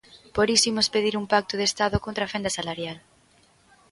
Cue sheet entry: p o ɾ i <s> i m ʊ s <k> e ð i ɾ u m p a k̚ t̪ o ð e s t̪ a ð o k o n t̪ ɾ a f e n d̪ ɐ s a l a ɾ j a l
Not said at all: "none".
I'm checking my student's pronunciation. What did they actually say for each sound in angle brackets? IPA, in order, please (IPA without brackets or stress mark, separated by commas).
s, p